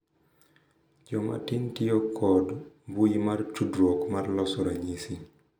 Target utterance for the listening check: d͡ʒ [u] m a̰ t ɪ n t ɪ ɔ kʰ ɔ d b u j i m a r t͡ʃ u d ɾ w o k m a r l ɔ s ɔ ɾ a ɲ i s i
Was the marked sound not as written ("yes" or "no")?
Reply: yes